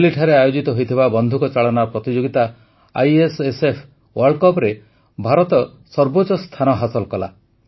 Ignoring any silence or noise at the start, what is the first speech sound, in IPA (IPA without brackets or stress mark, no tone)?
l